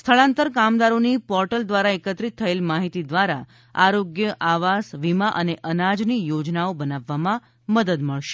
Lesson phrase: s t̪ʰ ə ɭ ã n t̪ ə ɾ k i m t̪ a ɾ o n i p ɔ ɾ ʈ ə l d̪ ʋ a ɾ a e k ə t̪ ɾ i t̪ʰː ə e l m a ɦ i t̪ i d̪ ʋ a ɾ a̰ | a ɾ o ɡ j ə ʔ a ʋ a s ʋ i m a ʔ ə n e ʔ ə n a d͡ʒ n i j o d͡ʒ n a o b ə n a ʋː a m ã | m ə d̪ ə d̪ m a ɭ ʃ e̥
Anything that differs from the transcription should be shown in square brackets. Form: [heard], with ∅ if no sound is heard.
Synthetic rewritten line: s t̪ʰ ə ɭ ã n t̪ ə ɾ k [a] m [d̪] a ɾ o n i p ɔ ɾ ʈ ə l d̪ ʋ a ɾ a e k ə t̪ ɾ i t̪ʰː ə e l m a ɦ i t̪ i d̪ ʋ a ɾ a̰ | a ɾ o ɡ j ə ʔ a ʋ a s ʋ i m a ʔ ə n e ʔ ə n a d͡ʒ n i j o d͡ʒ n a o b ə n a ʋː a m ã | m ə d̪ ə d̪ m [ə] ɭ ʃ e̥